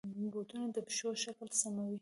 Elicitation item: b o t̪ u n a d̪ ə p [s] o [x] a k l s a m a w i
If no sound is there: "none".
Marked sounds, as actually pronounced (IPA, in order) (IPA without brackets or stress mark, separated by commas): ʃ, ʃ